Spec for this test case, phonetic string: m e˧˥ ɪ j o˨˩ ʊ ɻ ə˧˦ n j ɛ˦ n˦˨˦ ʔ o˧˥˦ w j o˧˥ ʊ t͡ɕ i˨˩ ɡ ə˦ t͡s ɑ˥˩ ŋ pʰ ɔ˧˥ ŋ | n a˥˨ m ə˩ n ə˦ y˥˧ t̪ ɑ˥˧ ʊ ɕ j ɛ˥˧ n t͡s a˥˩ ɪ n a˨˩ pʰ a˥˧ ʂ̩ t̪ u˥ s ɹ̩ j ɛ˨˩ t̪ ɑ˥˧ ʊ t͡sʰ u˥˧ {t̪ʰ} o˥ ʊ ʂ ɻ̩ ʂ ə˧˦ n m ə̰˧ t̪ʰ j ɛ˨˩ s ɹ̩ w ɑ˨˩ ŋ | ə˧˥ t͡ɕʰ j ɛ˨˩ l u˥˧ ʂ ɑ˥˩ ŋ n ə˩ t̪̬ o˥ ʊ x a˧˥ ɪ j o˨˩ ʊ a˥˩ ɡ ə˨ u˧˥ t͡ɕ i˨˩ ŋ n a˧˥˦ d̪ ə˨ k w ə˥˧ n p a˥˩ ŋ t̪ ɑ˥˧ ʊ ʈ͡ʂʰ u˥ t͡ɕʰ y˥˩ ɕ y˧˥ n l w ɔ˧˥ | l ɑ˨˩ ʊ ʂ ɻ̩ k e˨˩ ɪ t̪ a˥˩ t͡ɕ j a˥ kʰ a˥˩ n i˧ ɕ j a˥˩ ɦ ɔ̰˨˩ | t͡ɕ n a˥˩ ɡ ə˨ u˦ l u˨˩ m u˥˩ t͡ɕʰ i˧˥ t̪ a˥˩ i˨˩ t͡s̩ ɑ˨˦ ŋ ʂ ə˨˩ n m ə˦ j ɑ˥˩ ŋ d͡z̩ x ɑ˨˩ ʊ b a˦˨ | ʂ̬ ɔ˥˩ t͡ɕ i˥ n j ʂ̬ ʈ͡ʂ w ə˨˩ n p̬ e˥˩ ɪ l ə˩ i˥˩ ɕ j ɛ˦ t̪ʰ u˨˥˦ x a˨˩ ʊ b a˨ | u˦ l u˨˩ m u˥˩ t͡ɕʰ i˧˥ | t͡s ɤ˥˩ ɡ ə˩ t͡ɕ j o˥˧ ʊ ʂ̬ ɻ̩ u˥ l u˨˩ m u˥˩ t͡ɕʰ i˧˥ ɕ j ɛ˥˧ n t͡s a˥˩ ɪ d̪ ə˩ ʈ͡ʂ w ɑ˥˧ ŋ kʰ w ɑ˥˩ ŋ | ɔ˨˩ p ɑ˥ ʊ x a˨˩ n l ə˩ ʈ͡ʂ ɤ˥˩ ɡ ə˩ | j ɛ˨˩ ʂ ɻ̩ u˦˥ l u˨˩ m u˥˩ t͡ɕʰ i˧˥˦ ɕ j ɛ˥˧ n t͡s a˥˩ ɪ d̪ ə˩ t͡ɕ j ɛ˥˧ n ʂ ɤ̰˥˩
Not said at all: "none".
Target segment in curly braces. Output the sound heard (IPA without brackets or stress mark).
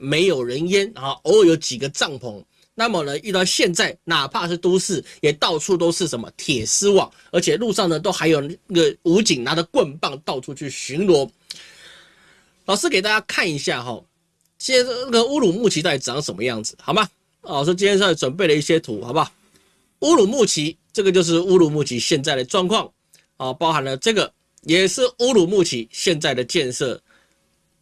t̪